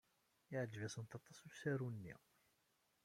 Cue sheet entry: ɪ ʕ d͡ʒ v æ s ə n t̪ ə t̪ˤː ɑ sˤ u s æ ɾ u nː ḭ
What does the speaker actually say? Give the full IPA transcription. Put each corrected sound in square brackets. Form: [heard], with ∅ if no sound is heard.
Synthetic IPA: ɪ ʕ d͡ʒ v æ s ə n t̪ [ɑ] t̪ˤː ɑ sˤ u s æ ɾ u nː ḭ

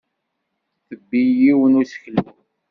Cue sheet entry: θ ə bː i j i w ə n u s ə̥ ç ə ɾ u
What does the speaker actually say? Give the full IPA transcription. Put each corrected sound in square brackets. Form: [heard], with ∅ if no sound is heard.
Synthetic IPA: θ ə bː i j i w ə n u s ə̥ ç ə [l] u

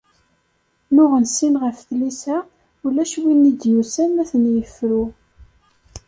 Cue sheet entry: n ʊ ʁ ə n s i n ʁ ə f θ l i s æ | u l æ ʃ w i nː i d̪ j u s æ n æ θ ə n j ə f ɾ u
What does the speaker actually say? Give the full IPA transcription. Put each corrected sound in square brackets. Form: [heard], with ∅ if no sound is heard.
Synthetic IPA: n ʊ ʁ ə n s i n ʁ ə f θ l i s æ | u l æ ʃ w i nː i d̪ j u s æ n æ θ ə n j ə f ɾ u

